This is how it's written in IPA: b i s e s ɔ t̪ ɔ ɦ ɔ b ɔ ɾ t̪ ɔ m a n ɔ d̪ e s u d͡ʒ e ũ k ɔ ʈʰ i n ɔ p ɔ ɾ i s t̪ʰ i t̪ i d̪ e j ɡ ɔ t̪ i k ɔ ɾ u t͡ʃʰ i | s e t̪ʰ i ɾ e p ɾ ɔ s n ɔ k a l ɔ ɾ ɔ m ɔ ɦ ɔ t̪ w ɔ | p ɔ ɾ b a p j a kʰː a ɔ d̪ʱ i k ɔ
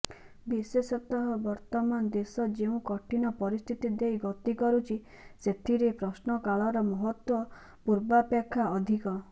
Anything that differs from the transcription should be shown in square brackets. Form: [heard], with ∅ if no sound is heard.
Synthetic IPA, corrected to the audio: b i s e s ɔ t̪ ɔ ɦ ɔ b ɔ ɾ t̪ ɔ m a n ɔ d̪ e s [ɔ] d͡ʒ e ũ k ɔ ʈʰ i n ɔ p ɔ ɾ i s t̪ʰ i t̪ i d̪ e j ɡ ɔ t̪ i k ɔ ɾ u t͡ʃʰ i | s e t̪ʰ i ɾ e p ɾ ɔ s n ɔ k a [ɭ] ɔ ɾ ɔ m ɔ ɦ ɔ t̪ w ɔ | p [u] ɾ b a p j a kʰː a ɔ d̪ʱ i k ɔ